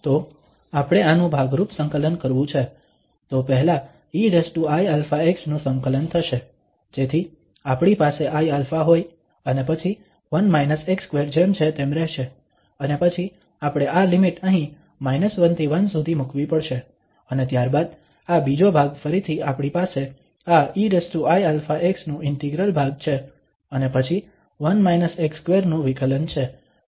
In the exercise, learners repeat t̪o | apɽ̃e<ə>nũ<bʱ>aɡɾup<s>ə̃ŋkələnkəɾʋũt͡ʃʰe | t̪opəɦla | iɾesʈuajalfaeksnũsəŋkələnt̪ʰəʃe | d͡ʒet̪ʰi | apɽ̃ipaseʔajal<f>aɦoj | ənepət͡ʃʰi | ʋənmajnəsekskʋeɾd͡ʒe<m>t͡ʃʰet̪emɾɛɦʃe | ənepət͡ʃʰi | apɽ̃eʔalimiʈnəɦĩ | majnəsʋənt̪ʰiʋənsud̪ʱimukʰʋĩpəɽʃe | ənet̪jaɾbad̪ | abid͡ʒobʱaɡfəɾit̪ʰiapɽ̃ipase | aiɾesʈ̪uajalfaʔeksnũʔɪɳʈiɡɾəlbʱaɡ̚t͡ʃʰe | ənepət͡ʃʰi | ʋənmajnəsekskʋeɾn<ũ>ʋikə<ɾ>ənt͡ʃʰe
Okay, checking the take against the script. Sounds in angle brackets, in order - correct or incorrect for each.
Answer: incorrect: a, correct, correct, correct, correct, correct, incorrect: l

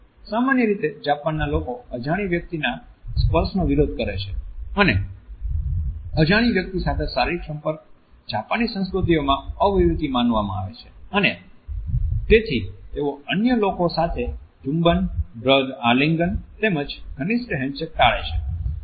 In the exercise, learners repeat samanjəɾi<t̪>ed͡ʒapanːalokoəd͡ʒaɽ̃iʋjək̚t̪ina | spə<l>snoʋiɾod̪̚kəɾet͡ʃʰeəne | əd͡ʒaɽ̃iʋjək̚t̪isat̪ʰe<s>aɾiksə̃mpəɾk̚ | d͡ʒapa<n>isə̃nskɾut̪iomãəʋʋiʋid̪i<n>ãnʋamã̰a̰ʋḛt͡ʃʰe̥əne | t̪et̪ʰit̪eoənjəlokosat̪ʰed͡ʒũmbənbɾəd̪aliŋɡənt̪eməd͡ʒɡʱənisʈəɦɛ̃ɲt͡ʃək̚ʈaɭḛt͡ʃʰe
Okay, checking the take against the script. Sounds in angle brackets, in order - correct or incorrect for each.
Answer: correct, incorrect: ɾ, correct, correct, incorrect: m

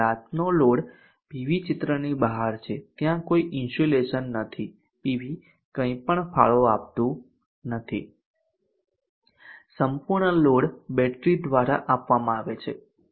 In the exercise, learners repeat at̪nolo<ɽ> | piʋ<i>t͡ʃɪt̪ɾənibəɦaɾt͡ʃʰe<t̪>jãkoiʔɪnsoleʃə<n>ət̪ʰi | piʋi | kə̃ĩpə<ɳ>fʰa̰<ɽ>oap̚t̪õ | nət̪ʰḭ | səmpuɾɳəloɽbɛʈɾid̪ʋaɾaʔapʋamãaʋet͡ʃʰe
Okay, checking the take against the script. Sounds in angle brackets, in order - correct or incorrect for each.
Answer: correct, correct, correct, incorrect: nː, correct, incorrect: ɭ

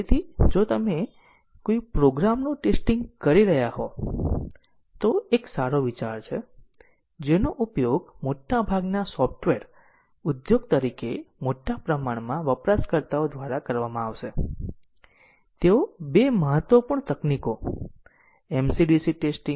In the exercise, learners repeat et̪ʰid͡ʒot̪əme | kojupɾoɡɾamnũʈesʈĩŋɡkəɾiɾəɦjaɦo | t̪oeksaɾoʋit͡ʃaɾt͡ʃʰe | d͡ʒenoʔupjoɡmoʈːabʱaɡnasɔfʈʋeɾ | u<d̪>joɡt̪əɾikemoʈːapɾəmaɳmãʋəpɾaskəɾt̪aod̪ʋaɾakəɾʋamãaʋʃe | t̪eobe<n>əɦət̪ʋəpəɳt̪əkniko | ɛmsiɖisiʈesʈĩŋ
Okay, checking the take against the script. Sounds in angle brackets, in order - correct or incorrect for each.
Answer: correct, incorrect: m

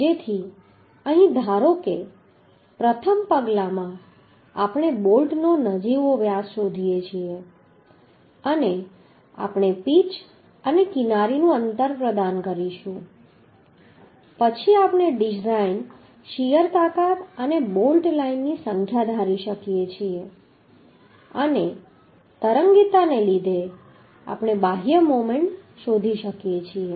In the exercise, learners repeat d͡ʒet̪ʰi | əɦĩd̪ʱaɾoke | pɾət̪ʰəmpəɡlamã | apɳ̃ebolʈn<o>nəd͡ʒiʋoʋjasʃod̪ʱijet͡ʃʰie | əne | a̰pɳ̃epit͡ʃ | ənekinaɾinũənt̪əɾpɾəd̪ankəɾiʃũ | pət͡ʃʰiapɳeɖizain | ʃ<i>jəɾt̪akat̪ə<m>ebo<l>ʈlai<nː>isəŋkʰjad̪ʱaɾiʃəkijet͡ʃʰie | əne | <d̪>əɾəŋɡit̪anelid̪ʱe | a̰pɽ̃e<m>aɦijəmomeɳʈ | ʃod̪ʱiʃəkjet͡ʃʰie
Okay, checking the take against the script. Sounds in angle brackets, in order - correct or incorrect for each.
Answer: correct, correct, incorrect: n, correct, correct, incorrect: t̪, incorrect: b

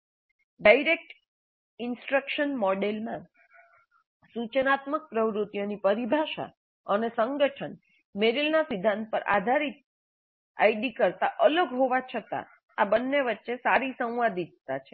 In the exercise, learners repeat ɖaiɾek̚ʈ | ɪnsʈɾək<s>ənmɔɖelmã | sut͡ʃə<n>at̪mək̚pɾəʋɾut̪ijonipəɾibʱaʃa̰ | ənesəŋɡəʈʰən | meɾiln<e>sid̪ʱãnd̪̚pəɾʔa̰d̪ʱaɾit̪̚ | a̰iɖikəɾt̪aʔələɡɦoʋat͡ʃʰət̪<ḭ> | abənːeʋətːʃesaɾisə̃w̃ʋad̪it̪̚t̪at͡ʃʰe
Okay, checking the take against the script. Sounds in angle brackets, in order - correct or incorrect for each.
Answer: incorrect: ʃ, correct, incorrect: a, incorrect: a̰

